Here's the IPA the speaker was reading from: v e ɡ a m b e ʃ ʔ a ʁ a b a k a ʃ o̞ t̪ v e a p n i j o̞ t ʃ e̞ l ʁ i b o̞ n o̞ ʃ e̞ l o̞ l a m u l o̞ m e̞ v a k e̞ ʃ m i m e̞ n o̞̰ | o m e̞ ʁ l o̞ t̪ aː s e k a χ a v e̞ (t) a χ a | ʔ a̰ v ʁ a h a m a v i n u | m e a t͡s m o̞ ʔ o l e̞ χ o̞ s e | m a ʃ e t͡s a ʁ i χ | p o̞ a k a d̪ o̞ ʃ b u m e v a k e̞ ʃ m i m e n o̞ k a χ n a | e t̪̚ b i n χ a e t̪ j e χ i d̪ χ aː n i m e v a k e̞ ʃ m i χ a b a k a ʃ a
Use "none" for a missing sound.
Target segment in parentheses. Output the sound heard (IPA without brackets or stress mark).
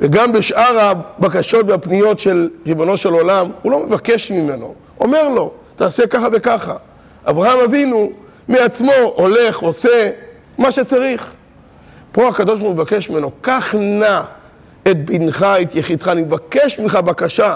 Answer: k